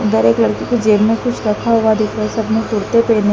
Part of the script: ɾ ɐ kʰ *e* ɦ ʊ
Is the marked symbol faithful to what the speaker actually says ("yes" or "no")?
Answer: no